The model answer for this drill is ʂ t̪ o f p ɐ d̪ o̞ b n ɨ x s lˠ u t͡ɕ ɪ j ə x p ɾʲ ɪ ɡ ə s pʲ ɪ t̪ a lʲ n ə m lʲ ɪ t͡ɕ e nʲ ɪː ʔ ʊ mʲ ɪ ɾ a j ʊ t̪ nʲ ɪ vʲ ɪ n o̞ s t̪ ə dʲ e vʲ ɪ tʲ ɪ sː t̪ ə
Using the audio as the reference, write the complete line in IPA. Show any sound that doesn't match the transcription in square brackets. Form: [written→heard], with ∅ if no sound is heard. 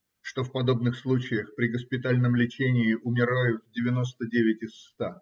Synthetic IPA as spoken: ʂ t̪ o f p ɐ d̪ o̞ b n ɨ x s lˠ u t͡ɕ ɪ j ə x p ɾʲ ɪ ɡ ə s pʲ ɪ t̪ a lʲ n ə m lʲ ɪ t͡ɕ e nʲ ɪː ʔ ʊ mʲ ɪ ɾ a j ʊ t̪ [nʲ→dʲ] ɪ vʲ ɪ n o̞ s t̪ ə dʲ e vʲ ɪ tʲ ɪ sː t̪ [ə→a]